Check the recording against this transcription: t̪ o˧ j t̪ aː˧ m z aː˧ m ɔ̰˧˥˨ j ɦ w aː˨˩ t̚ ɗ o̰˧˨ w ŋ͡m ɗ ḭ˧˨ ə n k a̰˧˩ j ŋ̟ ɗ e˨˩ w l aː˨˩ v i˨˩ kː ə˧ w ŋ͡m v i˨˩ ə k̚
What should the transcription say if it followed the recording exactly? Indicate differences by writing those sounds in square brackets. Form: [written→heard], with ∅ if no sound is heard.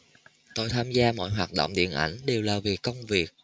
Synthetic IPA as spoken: t̪ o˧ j [t̪→t̪ʰ] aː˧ m z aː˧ m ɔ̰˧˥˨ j ɦ w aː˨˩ t̚ ɗ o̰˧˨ w ŋ͡m ɗ ḭ˧˨ ə n [k→ʔ] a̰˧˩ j ŋ̟ ɗ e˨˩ w l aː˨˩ v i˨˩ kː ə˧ w ŋ͡m v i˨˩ ə k̚